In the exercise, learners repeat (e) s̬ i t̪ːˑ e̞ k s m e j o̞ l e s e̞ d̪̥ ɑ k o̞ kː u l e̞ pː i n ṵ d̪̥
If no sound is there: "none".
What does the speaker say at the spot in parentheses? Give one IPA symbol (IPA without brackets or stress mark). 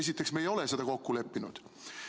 e